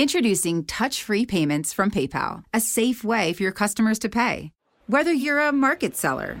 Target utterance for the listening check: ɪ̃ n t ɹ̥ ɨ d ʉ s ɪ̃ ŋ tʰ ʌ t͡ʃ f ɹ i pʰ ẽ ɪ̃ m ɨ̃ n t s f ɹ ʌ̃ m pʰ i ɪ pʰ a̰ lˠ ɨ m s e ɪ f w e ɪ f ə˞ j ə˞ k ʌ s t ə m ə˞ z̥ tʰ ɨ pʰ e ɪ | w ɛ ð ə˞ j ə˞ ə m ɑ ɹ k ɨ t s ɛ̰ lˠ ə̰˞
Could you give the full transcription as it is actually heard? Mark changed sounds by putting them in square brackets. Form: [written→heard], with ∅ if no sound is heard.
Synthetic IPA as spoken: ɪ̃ n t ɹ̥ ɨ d ʉ s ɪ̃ ŋ tʰ ʌ t͡ʃ f ɹ i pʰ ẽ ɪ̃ m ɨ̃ n t s f ɹ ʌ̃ m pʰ [i→e] ɪ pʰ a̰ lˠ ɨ [m→∅] s e ɪ f w e ɪ f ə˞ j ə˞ [k→kʰ] ʌ s t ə m ə˞ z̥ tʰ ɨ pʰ e ɪ | w ɛ ð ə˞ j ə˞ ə m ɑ ɹ k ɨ t s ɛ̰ lˠ ə̰˞